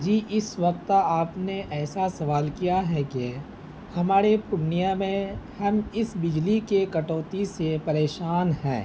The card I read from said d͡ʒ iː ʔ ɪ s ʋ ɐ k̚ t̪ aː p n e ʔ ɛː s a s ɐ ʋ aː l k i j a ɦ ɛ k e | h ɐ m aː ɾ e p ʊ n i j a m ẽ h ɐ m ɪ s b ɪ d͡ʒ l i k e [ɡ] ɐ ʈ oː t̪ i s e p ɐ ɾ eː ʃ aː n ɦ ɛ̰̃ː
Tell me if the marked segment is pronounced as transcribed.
no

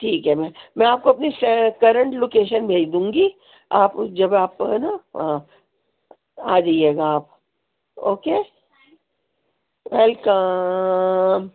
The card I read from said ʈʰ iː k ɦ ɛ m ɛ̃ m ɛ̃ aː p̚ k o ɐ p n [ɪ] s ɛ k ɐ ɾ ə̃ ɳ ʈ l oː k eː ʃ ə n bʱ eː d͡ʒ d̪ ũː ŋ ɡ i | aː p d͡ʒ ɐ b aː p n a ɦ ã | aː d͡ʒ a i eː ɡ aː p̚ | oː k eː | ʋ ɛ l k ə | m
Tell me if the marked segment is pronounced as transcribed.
no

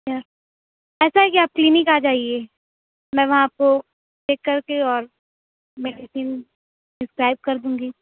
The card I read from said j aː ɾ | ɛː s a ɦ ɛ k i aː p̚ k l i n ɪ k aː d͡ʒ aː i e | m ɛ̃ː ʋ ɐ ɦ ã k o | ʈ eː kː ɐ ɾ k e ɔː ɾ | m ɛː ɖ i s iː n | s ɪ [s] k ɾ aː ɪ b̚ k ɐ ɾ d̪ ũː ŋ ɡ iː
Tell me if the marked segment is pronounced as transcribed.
yes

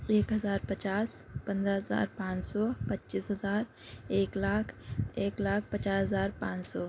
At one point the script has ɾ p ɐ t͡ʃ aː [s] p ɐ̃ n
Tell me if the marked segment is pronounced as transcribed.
yes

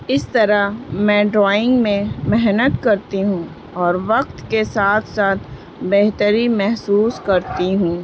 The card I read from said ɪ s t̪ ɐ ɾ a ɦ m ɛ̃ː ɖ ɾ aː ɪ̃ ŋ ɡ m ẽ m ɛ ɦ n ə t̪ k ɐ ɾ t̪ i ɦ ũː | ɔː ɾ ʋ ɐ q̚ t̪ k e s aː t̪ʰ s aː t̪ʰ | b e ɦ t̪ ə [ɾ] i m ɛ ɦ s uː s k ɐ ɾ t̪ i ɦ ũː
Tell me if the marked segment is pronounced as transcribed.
yes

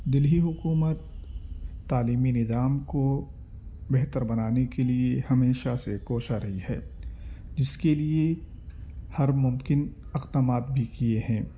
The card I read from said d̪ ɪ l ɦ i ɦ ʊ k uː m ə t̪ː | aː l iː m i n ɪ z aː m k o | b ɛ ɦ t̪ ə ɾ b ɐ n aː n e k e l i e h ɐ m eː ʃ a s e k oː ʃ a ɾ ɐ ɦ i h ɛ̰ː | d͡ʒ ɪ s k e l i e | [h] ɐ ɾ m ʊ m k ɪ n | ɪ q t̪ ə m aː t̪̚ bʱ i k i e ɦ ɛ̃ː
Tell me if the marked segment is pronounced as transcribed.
yes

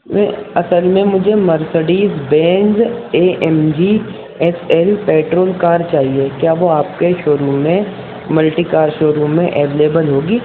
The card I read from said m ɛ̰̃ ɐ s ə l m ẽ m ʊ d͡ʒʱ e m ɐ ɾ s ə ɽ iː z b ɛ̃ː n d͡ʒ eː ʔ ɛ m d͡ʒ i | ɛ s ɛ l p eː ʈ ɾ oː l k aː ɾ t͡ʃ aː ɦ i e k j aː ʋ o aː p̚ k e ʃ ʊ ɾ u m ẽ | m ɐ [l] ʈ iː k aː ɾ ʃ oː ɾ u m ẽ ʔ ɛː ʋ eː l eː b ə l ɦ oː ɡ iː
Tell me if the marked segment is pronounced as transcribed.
yes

